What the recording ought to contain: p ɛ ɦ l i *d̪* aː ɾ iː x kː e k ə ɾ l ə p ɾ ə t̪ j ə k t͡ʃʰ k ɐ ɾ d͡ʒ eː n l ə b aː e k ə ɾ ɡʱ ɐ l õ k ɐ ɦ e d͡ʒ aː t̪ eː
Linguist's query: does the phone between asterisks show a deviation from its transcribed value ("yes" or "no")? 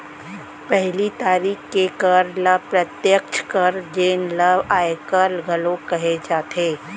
yes